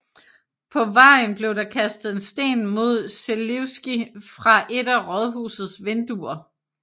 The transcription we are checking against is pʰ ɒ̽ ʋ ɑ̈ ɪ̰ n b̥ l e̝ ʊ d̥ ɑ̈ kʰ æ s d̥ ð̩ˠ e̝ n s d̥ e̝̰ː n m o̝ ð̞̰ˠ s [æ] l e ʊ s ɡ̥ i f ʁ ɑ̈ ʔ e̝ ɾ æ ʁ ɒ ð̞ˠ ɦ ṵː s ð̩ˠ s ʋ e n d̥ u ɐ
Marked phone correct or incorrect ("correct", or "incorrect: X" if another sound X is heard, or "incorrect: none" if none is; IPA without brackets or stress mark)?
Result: incorrect: e